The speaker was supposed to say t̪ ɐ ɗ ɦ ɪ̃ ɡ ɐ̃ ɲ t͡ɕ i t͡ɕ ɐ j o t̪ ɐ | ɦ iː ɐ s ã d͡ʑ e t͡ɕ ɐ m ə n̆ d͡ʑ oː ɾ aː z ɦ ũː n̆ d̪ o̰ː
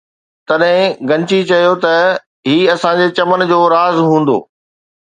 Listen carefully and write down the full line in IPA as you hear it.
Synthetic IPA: t̪ ɐ ɗ ɦ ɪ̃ ɡ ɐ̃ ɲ t͡ɕ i t͡ɕ ɐ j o t̪ ɐ | ɦ iː ɐ s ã d͡ʑ e t͡ɕ ɐ m ə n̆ d͡ʑ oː ɾ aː z ɦ ũː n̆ d̪ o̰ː